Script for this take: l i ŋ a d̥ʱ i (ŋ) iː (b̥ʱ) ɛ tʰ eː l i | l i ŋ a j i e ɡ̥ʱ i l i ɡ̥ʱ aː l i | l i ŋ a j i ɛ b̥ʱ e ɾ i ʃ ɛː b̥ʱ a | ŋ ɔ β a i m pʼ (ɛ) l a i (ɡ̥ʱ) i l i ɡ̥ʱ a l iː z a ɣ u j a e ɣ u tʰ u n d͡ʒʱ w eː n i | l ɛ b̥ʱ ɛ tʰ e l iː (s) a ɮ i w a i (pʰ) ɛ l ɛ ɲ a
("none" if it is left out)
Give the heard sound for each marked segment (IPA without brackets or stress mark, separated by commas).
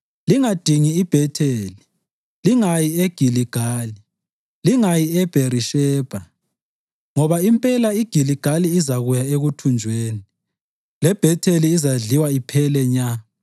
ŋ, b̥ʱ, ɛ, ɡ̥ʱ, z, pʰ